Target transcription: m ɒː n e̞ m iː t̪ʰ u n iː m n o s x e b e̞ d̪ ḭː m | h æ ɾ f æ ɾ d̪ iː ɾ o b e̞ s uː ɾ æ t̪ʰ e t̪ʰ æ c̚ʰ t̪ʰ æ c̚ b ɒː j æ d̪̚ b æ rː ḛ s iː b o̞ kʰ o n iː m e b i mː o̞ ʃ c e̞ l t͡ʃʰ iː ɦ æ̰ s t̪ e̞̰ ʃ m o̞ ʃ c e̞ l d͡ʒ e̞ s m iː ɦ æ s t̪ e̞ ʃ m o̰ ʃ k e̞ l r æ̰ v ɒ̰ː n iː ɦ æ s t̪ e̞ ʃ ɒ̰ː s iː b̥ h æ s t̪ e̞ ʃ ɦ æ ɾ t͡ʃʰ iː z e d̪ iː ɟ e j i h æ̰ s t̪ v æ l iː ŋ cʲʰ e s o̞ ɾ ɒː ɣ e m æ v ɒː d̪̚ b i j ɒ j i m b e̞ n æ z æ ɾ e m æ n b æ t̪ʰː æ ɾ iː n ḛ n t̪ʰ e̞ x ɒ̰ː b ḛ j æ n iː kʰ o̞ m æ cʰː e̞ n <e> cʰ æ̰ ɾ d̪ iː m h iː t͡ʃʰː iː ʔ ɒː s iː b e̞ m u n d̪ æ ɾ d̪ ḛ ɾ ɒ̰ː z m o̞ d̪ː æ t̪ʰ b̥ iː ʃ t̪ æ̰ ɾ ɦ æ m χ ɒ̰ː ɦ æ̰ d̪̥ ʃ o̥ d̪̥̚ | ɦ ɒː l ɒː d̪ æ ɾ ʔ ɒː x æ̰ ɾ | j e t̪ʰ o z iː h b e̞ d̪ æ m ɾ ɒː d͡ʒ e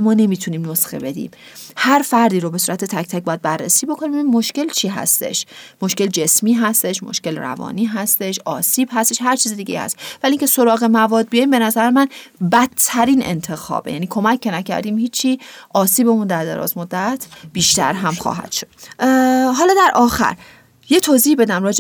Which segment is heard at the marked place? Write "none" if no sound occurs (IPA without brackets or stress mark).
æ